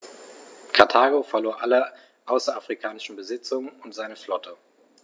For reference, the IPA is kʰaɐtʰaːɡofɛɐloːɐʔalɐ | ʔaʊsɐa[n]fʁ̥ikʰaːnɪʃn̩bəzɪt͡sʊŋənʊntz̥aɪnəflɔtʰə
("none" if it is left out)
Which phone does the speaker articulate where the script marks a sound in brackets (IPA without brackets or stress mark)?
none